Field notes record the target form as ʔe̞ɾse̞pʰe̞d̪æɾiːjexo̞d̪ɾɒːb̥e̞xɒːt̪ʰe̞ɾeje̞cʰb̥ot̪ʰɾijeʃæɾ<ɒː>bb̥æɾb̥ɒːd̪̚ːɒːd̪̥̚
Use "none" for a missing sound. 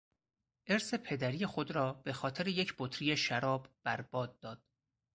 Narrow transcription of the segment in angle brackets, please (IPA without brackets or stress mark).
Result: ɒː